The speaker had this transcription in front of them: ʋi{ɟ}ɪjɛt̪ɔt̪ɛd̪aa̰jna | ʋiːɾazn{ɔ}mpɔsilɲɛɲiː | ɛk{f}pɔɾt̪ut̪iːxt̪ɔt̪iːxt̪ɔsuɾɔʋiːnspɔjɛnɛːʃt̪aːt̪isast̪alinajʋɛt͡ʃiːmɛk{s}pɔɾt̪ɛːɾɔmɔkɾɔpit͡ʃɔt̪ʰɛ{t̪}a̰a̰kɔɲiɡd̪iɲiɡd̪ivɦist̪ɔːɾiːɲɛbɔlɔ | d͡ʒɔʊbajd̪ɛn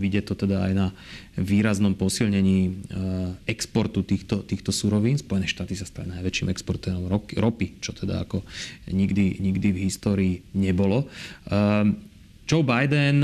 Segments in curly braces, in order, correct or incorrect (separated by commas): correct, correct, incorrect, correct, incorrect